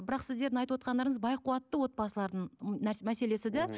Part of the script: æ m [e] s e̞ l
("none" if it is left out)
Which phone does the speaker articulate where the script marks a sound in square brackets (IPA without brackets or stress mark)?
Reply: æ